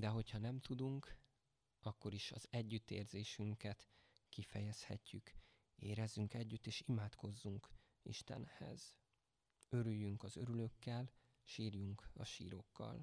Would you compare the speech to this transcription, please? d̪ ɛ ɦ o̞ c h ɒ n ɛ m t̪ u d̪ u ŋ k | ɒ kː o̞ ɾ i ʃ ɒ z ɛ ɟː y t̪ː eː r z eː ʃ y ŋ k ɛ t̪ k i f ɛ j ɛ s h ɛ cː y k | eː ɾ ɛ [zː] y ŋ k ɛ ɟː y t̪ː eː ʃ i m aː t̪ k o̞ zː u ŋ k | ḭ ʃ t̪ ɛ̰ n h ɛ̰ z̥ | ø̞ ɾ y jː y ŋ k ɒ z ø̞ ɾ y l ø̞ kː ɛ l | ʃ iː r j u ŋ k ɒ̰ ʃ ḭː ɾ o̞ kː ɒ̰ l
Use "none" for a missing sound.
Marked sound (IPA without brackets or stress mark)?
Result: zː